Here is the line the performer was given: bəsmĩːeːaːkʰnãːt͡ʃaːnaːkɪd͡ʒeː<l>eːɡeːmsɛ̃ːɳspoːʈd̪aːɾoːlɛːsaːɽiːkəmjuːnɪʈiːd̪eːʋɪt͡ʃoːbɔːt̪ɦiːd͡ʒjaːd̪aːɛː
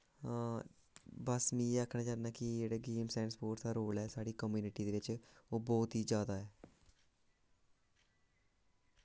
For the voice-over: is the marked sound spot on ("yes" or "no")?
no